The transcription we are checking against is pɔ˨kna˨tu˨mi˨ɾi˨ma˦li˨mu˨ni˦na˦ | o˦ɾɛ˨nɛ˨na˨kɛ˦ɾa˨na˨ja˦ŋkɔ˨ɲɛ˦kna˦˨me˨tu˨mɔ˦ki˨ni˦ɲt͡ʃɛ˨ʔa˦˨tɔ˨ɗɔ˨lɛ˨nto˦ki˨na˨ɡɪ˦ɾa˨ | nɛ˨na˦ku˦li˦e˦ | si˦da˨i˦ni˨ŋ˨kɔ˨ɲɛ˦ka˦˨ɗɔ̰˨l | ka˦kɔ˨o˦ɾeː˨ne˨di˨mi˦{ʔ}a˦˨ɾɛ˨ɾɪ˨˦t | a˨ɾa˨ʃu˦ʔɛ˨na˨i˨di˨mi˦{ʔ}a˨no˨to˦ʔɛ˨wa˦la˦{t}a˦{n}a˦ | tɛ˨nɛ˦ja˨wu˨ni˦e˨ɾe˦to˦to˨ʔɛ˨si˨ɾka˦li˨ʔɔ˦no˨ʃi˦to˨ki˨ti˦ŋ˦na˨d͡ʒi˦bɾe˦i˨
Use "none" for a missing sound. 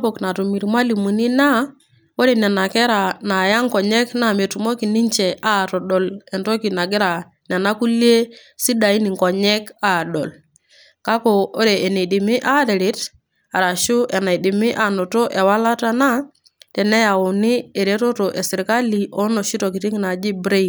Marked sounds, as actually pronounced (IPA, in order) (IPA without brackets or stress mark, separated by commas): ʔ, ʔ, t, n